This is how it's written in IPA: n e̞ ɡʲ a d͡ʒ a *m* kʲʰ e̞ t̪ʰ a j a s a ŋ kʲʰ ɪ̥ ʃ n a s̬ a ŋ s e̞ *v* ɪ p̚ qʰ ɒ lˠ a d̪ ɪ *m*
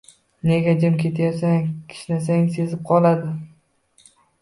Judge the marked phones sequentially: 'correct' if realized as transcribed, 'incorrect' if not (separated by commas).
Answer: correct, incorrect, incorrect